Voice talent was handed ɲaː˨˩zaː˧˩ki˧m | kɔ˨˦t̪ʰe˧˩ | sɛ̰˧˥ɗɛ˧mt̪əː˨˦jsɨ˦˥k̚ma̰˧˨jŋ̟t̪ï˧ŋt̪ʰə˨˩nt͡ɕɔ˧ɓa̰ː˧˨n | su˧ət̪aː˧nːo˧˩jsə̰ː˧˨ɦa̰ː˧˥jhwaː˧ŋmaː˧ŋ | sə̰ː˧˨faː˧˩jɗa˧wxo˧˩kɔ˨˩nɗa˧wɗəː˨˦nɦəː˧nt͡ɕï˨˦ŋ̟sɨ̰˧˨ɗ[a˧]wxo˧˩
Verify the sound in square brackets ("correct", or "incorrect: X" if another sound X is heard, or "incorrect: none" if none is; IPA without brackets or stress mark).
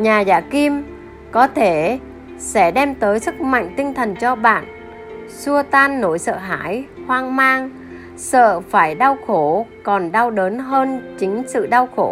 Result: correct